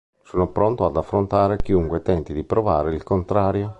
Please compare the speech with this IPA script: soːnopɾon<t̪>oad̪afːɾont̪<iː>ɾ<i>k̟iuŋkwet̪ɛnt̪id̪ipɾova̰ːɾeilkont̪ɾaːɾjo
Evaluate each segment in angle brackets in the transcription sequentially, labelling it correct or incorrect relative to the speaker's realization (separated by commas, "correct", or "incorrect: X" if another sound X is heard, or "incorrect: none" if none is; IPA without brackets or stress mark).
correct, incorrect: aː, incorrect: e